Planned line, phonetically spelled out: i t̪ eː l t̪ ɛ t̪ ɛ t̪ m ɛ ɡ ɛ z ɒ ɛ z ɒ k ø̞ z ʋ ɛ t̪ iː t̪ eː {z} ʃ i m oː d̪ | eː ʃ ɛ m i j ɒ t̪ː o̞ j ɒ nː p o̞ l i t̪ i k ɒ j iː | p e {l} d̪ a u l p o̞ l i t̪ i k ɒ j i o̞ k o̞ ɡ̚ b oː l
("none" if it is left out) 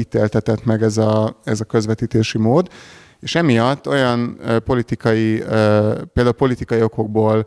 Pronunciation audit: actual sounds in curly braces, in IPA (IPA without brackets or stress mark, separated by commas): none, l